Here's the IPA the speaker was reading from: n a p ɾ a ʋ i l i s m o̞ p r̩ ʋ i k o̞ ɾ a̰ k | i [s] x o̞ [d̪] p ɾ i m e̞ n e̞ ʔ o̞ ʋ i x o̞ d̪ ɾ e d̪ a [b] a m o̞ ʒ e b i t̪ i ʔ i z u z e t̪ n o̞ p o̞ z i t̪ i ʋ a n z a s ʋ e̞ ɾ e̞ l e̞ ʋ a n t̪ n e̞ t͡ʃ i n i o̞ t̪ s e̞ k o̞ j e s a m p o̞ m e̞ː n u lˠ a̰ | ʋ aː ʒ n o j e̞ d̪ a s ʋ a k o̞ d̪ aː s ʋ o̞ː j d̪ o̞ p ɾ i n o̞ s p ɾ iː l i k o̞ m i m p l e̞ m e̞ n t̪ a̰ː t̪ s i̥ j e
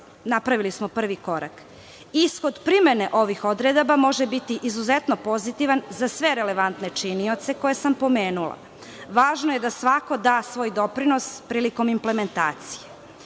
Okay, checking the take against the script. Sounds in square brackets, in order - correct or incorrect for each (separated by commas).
correct, correct, correct